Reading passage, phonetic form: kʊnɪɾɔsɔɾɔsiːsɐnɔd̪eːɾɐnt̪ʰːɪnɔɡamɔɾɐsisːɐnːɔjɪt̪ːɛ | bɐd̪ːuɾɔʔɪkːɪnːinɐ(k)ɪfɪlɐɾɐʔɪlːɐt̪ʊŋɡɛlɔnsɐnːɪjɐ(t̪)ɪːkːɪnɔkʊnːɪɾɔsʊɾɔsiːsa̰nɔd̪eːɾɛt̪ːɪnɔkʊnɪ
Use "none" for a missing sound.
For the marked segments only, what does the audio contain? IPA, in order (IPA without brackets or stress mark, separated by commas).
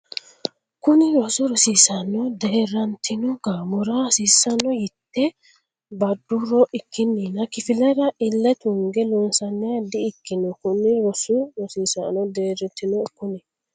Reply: k, d̪